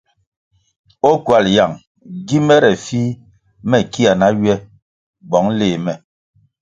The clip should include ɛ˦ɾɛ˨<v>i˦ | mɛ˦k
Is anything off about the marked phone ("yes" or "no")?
yes